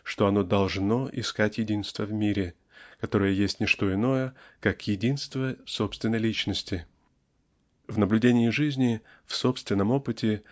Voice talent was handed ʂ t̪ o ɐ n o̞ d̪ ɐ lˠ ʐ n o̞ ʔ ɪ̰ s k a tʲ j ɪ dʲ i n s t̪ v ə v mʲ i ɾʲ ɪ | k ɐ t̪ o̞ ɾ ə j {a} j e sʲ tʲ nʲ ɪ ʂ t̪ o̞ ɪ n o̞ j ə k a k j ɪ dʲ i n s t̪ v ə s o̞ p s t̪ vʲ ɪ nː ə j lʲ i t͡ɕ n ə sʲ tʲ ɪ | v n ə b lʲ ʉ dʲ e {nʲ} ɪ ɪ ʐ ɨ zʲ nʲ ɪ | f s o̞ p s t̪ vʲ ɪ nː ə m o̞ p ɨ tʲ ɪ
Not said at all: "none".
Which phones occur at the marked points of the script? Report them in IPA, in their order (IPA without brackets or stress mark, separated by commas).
ə, nʲ